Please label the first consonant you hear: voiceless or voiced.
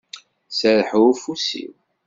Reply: voiceless